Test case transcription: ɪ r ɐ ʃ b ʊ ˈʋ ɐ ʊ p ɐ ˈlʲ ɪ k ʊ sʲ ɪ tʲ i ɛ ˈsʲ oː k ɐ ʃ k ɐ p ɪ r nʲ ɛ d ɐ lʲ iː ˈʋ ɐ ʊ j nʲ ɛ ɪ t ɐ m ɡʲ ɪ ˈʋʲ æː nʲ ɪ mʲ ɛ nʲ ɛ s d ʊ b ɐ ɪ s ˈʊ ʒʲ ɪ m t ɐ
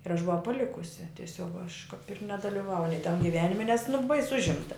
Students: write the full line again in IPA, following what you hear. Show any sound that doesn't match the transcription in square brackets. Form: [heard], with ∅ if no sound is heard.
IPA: ɪ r ɐ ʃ b ʊ ˈʋ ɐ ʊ p ɐ ˈlʲ ɪ k ʊ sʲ ɪ tʲ i ɛ ˈsʲ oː k ɐ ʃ k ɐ p ɪ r nʲ ɛ d ɐ lʲ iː ˈʋ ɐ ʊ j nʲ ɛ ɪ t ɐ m ɡʲ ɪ ˈʋʲ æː nʲ ɪ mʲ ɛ nʲ ɛ s [n] ʊ b ɐ ɪ s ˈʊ ʒʲ ɪ m t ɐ